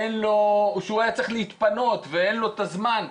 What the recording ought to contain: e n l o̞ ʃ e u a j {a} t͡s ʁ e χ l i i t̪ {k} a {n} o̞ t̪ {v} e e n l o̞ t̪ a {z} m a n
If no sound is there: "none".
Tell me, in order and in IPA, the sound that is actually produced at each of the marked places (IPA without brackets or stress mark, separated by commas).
a, p, n, v, z